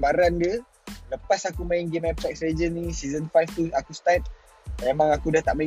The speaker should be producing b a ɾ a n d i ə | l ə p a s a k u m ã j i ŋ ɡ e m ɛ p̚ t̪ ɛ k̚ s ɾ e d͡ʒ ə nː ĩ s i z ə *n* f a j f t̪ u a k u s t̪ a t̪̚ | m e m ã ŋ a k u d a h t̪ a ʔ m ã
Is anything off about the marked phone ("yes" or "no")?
no